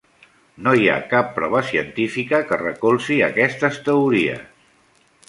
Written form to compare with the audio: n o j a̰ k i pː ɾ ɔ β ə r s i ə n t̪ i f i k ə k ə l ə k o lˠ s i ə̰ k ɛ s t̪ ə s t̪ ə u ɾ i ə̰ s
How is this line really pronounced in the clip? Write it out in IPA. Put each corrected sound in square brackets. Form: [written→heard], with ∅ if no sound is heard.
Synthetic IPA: n o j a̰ k [i→a] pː ɾ ɔ β ə [r→∅] s i ə n t̪ i f i k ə k ə [l→r] ə k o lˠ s i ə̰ k ɛ s t̪ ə s t̪ ə u ɾ i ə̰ s